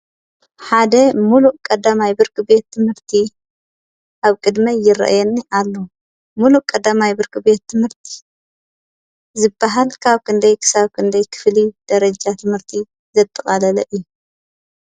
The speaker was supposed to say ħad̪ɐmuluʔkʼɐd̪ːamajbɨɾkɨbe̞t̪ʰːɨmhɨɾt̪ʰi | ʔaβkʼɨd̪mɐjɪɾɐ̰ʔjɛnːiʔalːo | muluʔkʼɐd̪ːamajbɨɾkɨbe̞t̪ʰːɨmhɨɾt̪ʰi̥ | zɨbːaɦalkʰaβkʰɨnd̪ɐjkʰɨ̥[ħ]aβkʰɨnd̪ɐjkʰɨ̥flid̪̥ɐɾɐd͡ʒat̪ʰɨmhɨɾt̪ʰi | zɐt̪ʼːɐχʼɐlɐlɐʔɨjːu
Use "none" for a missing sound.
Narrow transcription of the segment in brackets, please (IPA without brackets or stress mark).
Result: s